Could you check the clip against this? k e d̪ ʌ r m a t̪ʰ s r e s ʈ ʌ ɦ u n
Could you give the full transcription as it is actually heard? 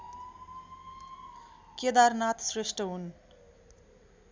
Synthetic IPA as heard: k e d̪ a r n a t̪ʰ s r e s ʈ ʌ ɦ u n